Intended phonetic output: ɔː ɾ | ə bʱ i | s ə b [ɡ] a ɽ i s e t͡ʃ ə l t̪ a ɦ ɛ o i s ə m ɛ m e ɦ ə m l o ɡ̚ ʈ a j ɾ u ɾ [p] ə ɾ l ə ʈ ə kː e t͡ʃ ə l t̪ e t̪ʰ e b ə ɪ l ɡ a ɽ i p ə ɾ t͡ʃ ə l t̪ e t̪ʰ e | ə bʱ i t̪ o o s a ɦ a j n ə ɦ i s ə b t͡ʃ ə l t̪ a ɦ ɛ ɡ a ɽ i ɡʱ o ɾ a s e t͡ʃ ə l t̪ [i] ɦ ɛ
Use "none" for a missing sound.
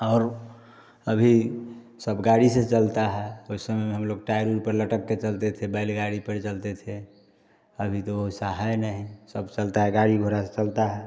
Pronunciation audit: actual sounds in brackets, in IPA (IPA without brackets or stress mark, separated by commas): ɡ, p, a